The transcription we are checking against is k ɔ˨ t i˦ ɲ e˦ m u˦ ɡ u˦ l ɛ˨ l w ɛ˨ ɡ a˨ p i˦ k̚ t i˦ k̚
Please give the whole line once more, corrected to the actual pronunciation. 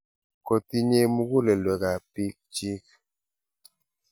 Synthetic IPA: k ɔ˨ t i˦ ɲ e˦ m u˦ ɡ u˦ l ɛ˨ l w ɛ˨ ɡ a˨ p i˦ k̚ t͡ʃ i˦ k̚